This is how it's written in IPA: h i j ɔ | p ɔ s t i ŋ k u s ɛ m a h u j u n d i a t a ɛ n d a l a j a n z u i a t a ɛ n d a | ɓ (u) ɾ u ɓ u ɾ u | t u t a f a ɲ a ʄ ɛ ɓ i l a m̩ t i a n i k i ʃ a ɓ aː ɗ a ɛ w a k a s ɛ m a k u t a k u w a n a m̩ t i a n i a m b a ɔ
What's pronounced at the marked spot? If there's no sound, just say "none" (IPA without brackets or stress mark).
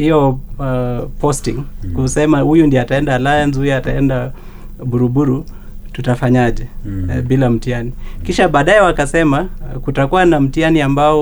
u